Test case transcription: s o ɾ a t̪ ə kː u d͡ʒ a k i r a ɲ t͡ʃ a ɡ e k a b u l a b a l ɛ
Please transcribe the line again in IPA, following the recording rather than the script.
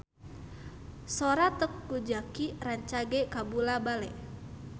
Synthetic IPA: s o ɾ a t̪ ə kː u d͡ʒ a k i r a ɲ t͡ʃ a ɡ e k a b u l a b a l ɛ